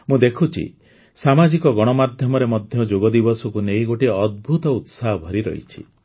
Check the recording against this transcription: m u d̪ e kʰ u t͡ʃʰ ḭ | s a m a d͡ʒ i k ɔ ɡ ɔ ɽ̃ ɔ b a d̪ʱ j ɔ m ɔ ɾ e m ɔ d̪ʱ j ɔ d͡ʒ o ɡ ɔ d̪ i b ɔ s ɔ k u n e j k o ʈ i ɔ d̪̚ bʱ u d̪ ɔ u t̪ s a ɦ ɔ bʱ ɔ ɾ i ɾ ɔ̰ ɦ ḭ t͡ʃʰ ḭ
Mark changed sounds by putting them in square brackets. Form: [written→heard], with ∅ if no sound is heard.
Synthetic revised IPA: m [u→ũ] d̪ e kʰ u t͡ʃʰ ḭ | s a m a d͡ʒ i k ɔ ɡ ɔ ɽ̃ ɔ [b→m] a d̪ʱ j ɔ m ɔ ɾ e m ɔ d̪ʱ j ɔ d͡ʒ o ɡ ɔ d̪ i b ɔ s ɔ k u n e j [k→ɡ] o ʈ i ɔ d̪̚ bʱ u [d̪→t̪] ɔ u t̪ s a ɦ ɔ bʱ ɔ ɾ i ɾ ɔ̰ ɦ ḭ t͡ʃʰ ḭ

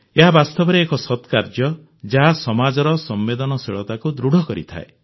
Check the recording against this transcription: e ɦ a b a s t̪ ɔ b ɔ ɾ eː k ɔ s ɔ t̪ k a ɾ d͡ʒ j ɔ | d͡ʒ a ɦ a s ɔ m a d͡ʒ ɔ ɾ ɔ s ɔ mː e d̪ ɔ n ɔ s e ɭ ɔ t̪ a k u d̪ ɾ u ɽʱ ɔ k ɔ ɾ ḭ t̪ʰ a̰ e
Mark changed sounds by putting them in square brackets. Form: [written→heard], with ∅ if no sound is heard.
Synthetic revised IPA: e ɦ a b a s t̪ ɔ b ɔ ɾ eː k ɔ s ɔ t̪ k a ɾ d͡ʒ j ɔ | d͡ʒ a ɦ a s ɔ m a d͡ʒ ɔ ɾ ɔ s ɔ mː e d̪ ɔ n ɔ s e ɭ ɔ t̪ a k u d̪ ɾ u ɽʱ ɔ k ɔ ɾ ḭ t̪ʰ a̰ e

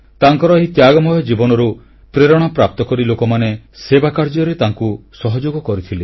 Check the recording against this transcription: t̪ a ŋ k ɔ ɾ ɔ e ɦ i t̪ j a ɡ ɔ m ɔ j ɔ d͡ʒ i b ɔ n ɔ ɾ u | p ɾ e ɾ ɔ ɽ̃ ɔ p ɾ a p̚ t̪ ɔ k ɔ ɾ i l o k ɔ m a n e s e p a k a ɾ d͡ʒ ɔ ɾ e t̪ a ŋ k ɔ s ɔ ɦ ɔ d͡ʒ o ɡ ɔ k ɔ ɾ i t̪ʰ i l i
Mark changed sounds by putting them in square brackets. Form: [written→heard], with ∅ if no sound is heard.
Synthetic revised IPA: t̪ a ŋ k ɔ ɾ ɔ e ɦ i t̪ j a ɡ ɔ m ɔ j ɔ d͡ʒ i b ɔ n ɔ ɾ u | p ɾ e ɾ ɔ ɽ̃ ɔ p ɾ a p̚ t̪ ɔ k ɔ ɾ i l o k ɔ m a n e s e [p→b] a k a ɾ d͡ʒ ɔ ɾ e t̪ a ŋ k [ɔ→u] s ɔ ɦ ɔ d͡ʒ o ɡ ɔ k ɔ ɾ i t̪ʰ i l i

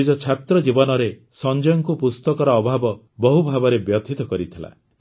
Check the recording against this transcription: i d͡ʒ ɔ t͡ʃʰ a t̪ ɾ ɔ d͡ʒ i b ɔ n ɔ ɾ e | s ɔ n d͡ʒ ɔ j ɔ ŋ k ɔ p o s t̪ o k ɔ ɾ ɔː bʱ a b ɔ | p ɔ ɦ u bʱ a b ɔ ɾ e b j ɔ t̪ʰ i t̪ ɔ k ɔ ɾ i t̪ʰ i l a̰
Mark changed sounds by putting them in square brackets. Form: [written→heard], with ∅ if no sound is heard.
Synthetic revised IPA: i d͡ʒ ɔ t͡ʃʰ a t̪ ɾ ɔ d͡ʒ i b ɔ n ɔ ɾ e | s ɔ n d͡ʒ ɔ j ɔ ŋ k [ɔ→u] p [o→u] s t̪ [o→ɔ] k ɔ ɾ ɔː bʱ a b ɔ | [p→b] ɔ ɦ u bʱ a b ɔ ɾ e b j ɔ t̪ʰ i t̪ ɔ k ɔ ɾ i t̪ʰ i l a̰

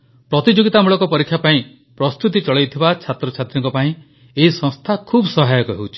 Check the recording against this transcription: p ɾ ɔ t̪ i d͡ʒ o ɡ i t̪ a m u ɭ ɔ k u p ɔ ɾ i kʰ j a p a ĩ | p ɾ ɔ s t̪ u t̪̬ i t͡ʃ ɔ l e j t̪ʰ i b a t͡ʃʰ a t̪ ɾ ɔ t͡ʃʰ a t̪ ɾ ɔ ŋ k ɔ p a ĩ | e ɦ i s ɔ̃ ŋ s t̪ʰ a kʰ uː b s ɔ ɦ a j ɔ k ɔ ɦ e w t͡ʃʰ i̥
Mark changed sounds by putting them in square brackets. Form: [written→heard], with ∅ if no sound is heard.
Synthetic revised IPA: p ɾ ɔ t̪ i d͡ʒ o ɡ i t̪ a m u ɭ ɔ k [u→ɔ] p ɔ ɾ i kʰ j a p a ĩ | p ɾ ɔ s t̪ u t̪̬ i t͡ʃ ɔ [l→ɭ] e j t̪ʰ i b a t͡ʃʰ a t̪ ɾ ɔ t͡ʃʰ a t̪ ɾ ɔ ŋ k ɔ p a ĩ | e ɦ i s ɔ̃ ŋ s t̪ʰ a kʰ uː b s ɔ ɦ a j ɔ k ɔ ɦ e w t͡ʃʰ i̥

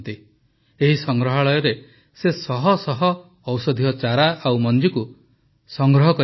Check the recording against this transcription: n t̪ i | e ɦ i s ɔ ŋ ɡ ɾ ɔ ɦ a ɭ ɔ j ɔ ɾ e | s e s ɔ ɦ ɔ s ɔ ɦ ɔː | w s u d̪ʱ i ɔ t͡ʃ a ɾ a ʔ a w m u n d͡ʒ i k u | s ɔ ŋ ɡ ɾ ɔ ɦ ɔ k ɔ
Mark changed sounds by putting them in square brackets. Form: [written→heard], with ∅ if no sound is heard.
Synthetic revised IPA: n t̪ i | e ɦ i s ɔ ŋ ɡ ɾ ɔ ɦ a ɭ ɔ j ɔ ɾ e | s e s ɔ ɦ ɔ s ɔ ɦ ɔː | w s [u→ɔ] d̪ʱ i ɔ t͡ʃ a ɾ a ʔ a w m [u→ɔ] n d͡ʒ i k u | s ɔ ŋ ɡ ɾ ɔ ɦ ɔ k ɔ

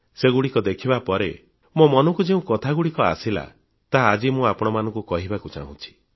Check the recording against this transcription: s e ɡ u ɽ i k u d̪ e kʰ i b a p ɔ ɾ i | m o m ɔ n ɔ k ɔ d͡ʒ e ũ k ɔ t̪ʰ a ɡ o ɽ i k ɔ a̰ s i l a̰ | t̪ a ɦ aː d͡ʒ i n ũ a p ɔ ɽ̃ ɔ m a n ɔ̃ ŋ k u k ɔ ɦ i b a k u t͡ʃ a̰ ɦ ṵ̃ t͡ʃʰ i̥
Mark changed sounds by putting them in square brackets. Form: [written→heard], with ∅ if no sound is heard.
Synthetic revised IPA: s e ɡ u ɽ i k [u→ɔ] d̪ e kʰ i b a p ɔ ɾ [i→e] | m o m ɔ n ɔ k [ɔ→u] d͡ʒ e ũ k ɔ t̪ʰ a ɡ [o→u] ɽ i k ɔ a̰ s i l a̰ | t̪ a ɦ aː d͡ʒ i [n→m] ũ a p ɔ ɽ̃ ɔ m a n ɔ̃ ŋ k u k ɔ ɦ i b a k u t͡ʃ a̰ ɦ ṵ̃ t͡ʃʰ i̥

